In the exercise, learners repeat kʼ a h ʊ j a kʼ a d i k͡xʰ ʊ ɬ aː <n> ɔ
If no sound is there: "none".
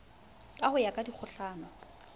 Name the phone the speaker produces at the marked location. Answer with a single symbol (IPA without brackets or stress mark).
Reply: n